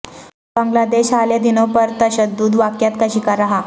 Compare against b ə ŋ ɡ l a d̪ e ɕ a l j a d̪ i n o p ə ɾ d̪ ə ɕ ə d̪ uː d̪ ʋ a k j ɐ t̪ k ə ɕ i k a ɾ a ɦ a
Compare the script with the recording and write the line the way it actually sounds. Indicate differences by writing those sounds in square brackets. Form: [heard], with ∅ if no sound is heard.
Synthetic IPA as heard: b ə ŋ ɡ l a d̪ e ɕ a l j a d̪ i n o p ə ɾ [t̪] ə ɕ ə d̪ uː d̪ ʋ a k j [a] t̪ k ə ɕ i k a ɾ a ɦ a